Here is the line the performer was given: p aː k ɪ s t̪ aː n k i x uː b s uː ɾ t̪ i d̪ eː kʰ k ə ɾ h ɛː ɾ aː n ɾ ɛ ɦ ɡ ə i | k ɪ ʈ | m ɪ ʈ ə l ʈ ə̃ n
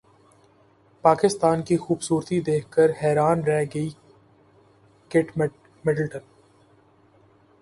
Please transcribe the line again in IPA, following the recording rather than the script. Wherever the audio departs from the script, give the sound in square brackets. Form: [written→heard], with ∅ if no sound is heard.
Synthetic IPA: p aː k ɪ s t̪ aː n k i x uː b s uː ɾ t̪ i d̪ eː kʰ k ə ɾ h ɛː ɾ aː n ɾ ɛ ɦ ɡ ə i | k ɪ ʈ | m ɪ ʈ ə l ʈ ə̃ n